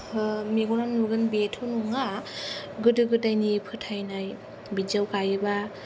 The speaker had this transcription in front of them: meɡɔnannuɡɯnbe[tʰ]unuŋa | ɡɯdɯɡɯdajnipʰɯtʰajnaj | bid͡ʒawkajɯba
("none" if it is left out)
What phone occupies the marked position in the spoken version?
tʰ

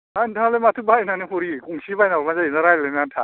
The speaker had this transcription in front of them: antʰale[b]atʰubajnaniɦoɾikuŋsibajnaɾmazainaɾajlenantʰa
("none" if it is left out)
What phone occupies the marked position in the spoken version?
m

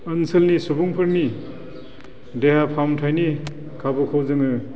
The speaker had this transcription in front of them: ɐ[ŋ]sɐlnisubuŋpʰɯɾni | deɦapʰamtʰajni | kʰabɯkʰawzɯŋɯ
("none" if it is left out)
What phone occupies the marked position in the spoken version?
n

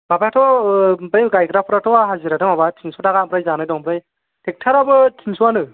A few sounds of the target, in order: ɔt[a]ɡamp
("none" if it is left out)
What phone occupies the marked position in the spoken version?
a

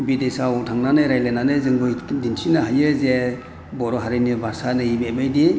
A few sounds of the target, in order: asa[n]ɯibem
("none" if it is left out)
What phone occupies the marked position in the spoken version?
n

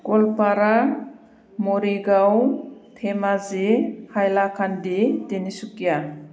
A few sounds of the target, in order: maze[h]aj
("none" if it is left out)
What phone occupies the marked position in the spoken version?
h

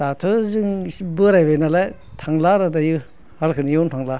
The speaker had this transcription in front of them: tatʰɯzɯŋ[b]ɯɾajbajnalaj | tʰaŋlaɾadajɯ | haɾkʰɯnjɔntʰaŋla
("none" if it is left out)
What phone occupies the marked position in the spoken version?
b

